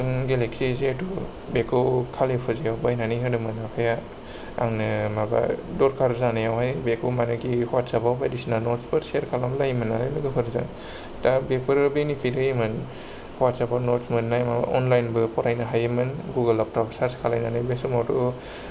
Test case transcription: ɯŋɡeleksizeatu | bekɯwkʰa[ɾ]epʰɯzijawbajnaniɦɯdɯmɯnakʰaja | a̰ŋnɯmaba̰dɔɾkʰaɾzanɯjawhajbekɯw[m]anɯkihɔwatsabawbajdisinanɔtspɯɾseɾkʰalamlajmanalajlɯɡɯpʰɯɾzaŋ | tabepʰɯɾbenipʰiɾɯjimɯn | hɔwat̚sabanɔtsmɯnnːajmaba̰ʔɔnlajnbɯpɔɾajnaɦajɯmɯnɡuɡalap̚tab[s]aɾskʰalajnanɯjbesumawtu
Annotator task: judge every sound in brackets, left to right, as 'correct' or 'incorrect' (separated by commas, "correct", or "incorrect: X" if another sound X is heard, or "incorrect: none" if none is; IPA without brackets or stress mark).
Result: incorrect: l, correct, correct